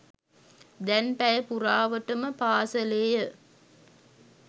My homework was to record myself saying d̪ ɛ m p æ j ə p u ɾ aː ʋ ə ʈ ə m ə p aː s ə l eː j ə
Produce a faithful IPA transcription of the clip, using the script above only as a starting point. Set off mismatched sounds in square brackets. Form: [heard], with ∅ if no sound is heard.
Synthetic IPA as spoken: d̪ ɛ [n] p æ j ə p u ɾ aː ʋ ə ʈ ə m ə p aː s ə l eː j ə